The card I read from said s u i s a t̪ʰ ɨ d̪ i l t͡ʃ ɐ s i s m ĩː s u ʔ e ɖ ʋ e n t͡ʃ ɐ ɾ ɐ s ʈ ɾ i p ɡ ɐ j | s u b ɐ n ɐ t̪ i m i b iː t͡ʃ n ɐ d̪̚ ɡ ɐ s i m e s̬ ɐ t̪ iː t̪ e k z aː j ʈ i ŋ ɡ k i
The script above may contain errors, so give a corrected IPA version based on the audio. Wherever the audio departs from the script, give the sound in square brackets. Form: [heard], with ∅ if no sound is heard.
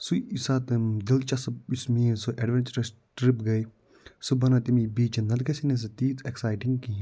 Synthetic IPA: s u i s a [t̪] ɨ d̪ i l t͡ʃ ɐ s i s m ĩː s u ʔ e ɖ ʋ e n t͡ʃ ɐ ɾ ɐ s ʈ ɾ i p ɡ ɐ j | s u b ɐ n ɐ t̪ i m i b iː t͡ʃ n ɐ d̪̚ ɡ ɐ s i [n] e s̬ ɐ t̪ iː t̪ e k [s] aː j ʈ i ŋ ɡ k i

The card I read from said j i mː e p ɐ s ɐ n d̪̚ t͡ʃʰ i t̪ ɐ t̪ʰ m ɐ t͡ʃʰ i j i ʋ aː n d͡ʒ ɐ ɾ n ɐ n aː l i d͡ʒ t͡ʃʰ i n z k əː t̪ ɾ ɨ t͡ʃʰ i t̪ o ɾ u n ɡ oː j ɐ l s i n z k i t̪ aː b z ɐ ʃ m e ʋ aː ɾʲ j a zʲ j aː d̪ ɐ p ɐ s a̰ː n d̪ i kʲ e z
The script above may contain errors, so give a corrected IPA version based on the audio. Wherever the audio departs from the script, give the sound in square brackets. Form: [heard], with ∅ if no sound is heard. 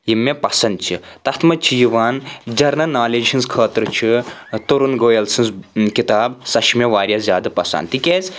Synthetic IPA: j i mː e p ɐ s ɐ n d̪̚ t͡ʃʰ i t̪ ɐ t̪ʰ m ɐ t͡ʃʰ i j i ʋ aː n d͡ʒ ɐ ɾ n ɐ n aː l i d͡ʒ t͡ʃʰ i n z [kʰ] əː t̪ ɾ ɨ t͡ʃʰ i t̪ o ɾ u n ɡ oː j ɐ l s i n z k i t̪ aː b [s] ɐ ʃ m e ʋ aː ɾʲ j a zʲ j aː d̪ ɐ p ɐ s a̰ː n [t̪] i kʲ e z

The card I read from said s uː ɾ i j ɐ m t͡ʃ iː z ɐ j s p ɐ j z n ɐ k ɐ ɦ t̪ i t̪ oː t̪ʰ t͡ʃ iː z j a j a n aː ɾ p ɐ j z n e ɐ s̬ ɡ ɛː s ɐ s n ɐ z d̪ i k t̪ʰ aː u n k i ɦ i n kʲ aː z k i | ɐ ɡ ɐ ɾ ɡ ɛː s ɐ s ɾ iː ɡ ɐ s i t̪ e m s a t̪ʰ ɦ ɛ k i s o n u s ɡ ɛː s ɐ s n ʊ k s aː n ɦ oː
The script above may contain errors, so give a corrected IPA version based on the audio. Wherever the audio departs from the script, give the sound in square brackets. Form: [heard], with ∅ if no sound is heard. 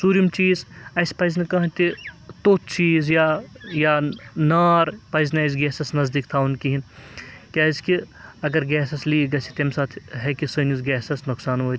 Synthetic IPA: s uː ɾ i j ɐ m t͡ʃ iː z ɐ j s p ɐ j z n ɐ k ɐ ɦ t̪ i t̪ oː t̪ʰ t͡ʃ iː z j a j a n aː ɾ p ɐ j z n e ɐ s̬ ɡ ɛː s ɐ s n ɐ z d̪ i k t̪ʰ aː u n k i ɦ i n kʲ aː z k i | ɐ ɡ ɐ ɾ ɡ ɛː s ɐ s [l] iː ɡ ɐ s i t̪ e m s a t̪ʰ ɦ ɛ k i s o n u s ɡ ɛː s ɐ s n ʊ k s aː n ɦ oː

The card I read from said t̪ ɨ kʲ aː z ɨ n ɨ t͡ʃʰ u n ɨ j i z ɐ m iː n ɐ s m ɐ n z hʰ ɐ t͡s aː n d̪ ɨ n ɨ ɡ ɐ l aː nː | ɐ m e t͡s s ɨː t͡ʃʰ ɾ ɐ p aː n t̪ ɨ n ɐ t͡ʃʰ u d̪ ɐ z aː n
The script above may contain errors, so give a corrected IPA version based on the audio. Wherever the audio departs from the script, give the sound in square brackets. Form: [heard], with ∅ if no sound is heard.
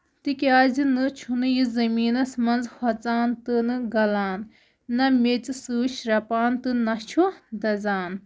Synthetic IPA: t̪ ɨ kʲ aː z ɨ n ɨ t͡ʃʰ u n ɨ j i z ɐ m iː n ɐ s m ɐ n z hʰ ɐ t͡s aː n [t̪] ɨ n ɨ ɡ ɐ l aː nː | ɐ m e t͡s s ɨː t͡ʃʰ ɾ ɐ p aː n t̪ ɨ n ɐ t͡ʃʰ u d̪ ɐ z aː n

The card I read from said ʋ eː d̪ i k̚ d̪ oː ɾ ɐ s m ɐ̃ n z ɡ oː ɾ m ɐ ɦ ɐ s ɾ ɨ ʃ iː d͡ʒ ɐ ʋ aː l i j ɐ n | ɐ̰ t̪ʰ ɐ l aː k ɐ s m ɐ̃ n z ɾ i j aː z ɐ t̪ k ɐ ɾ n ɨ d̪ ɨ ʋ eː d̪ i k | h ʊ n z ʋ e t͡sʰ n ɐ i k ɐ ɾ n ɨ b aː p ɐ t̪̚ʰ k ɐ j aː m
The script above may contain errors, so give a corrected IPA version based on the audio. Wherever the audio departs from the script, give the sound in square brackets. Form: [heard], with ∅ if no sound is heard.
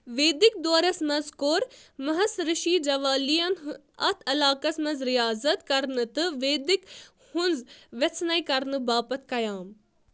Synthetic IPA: ʋ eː d̪ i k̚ d̪ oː ɾ ɐ s m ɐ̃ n z [k] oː ɾ m ɐ ɦ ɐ s ɾ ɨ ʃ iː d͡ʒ ɐ ʋ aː l i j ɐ n | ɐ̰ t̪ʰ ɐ l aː k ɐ s m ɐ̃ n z ɾ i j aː z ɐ t̪ k ɐ ɾ n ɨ [t̪] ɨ ʋ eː d̪ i k | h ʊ n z ʋ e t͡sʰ n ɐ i k ɐ ɾ n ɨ b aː p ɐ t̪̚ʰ k ɐ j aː m

